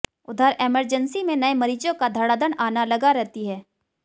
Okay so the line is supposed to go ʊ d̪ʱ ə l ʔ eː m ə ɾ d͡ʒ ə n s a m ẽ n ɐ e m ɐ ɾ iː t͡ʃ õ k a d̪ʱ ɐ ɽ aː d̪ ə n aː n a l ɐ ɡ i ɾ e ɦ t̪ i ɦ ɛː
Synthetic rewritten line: ʊ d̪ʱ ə ɾ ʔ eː m ə ɾ d͡ʒ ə n s i m ẽ n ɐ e m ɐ ɾ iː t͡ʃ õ k a d̪ʱ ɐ ɽ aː d̪ ə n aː n a l ɐ ɡ a ɾ ɛ ɦ t̪ i ɦ ɛː

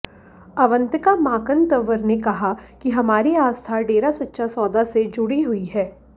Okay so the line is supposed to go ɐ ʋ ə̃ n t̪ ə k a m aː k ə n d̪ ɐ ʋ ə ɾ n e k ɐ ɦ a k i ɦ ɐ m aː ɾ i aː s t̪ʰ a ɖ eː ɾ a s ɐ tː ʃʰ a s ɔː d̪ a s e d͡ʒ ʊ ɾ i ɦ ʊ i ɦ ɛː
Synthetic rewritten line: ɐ ʋ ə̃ n t̪ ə k a m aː k ə n t̪ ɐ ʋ ə ɾ n e k ɐ ɦ a k i ɦ ɐ m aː ɾ i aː s t̪ʰ a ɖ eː ɾ a s ɐ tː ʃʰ a s ɔː d̪ a s e d͡ʒ ʊ ɽ i ɦ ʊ i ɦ ɛː

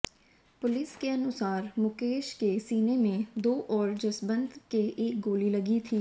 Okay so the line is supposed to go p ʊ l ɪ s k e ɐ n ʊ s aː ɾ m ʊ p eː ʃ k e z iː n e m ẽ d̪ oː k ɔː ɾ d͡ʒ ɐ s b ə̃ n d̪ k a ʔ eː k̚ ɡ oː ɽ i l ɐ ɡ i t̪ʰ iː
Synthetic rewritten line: p ʊ l ɪ s k e ɐ n ʊ s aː ɾ m ʊ k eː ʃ k e s iː n e m ẽ d̪ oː ʔ ɔː ɾ d͡ʒ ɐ s b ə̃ n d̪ k e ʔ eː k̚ ɡ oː l i l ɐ ɡ i t̪ʰ iː

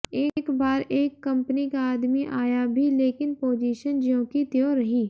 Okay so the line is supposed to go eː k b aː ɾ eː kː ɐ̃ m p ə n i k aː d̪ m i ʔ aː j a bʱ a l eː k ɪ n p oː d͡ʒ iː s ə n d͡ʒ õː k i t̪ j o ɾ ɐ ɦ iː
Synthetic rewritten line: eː k b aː ɾ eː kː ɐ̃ m p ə n i k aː d̪ m i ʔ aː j a bʱ i l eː k ɪ n p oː d͡ʒ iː ʃ ə n d͡ʒ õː k i t̪ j o ɾ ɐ ɦ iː

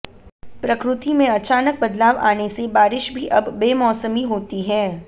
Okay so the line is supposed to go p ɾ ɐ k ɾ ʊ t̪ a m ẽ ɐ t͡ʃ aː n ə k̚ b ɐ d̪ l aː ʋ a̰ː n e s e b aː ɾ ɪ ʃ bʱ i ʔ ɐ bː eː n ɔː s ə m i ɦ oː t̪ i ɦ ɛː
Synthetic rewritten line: p ɾ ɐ k ɾ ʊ t̪ i m ẽ ɐ t͡ʃ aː n ə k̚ b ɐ d̪ l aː ʋ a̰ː n e s e b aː ɾ ɪ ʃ bʱ i ʔ ɐ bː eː m ɔː s ə m i ɦ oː t̪ i ɦ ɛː

